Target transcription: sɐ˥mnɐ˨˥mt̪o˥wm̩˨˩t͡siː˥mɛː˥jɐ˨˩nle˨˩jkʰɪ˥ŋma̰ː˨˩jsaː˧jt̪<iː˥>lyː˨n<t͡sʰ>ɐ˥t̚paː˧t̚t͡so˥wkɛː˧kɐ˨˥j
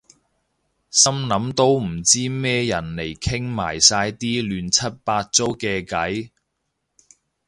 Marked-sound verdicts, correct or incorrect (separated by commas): correct, correct